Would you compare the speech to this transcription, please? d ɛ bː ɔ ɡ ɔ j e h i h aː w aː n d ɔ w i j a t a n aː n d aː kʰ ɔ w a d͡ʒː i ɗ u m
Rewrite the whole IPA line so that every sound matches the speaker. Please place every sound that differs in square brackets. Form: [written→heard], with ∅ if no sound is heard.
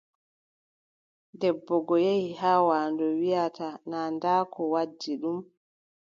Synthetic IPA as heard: d ɛ bː ɔ ɡ ɔ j e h i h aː w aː n d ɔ w i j a t a n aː n d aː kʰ ɔ w a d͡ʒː i ɗ u m